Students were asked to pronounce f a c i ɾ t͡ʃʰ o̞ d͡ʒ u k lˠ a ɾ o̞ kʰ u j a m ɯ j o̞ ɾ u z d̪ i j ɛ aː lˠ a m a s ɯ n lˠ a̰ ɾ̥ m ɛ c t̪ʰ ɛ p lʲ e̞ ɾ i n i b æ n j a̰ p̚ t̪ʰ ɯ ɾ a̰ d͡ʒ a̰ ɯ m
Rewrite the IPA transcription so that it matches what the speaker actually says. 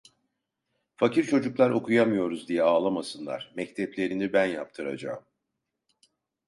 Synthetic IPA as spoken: f a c i ɾ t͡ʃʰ o̞ d͡ʒ u k lˠ a ɾ o̞ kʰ u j a m ɯ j o̞ ɾ u z d̪ i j ɛ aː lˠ a m a s ɯ n lˠ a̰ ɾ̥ m ɛ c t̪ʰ ɛ p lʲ e̞ ɾ i n i b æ n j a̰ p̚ t̪ʰ ɯ ɾ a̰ d͡ʒ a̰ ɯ m